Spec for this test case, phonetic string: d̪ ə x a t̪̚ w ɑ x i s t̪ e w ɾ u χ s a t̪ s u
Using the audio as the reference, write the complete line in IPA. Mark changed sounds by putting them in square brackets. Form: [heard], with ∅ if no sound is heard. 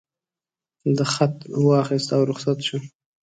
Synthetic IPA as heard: d̪ ə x a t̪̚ w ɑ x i s t̪ [a] w ɾ [ʊ] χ s a t̪ [ʃ] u